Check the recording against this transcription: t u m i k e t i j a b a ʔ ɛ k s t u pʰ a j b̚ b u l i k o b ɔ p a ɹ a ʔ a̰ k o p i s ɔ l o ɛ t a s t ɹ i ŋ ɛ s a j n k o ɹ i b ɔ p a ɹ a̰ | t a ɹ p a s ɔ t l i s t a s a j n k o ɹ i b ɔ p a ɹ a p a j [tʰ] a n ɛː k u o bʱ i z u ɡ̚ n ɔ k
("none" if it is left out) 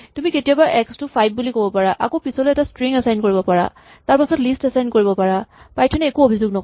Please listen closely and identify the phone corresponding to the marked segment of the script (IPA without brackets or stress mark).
tʰ